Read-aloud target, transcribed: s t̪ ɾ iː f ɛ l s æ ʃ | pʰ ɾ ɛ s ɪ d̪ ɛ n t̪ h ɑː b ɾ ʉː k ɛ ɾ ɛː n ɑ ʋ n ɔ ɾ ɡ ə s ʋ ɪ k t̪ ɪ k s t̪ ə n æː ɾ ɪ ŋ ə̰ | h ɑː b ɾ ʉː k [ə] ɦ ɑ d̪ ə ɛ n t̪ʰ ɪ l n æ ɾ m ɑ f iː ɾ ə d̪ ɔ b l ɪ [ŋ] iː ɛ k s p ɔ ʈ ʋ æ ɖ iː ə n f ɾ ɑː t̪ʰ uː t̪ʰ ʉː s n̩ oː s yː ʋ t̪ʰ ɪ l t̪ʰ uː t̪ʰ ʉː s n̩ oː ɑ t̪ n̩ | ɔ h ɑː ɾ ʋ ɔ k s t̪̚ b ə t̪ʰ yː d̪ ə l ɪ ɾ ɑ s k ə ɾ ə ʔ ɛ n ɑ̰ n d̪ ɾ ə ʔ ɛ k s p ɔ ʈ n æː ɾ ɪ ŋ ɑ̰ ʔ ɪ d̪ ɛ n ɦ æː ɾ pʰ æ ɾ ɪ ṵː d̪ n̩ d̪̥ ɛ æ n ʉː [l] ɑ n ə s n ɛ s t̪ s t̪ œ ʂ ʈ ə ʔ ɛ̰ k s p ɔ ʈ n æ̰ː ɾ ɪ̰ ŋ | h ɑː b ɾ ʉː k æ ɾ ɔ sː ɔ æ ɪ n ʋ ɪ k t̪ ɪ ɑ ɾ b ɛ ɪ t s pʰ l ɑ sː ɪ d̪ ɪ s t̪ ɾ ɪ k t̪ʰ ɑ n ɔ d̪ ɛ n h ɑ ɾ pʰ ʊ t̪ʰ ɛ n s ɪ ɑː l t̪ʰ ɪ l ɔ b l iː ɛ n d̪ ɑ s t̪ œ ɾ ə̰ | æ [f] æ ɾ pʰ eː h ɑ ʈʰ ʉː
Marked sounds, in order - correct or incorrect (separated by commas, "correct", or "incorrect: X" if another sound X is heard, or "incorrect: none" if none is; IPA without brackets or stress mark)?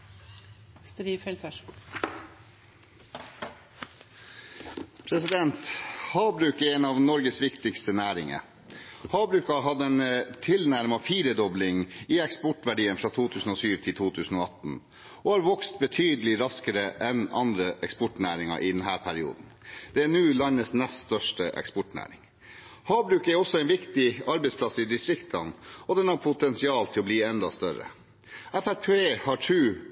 incorrect: ɑ, correct, correct, correct